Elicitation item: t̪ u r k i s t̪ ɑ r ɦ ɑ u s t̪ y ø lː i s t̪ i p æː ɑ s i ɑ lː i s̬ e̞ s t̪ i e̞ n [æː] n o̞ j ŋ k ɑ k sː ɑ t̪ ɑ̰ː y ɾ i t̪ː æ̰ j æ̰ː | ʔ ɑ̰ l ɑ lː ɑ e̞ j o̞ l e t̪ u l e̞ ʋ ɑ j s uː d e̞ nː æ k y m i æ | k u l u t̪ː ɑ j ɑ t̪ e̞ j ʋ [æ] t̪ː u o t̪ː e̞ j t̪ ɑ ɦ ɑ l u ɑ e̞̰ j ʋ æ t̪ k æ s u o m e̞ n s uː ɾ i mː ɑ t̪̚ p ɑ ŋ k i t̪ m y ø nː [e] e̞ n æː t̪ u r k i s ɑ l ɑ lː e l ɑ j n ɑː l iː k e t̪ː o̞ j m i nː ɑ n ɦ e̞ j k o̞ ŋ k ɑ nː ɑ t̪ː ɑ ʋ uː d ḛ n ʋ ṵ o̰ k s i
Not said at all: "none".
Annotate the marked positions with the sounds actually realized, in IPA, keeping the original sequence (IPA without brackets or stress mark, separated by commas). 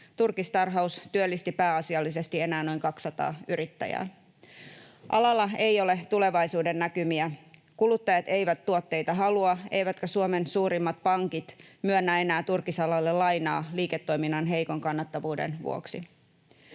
æː, æ, æ